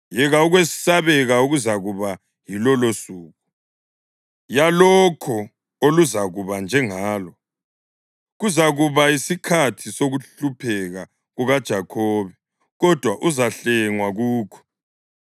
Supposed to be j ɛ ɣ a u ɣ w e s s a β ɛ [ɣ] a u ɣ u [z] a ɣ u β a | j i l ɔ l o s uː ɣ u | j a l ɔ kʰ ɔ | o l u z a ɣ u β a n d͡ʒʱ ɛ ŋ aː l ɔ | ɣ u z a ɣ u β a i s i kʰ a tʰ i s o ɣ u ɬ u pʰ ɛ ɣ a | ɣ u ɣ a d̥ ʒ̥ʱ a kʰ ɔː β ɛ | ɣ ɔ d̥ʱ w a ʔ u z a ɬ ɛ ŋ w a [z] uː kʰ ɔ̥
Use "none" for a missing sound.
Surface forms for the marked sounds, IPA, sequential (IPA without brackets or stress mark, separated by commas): ɣ, z, ɣ